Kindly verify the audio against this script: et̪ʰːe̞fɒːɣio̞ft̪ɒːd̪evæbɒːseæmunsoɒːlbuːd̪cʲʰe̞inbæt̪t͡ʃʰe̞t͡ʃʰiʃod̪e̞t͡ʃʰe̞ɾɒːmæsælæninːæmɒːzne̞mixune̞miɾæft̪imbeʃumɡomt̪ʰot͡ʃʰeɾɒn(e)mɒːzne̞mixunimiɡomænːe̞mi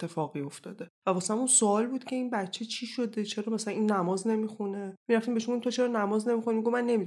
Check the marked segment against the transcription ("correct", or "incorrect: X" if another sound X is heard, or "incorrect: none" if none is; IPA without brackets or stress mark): incorrect: æ